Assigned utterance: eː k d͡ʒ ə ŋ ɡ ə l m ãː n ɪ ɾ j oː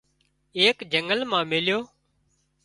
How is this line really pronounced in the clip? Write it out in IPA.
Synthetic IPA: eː k d͡ʒ ə ŋ ɡ ə l m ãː m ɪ l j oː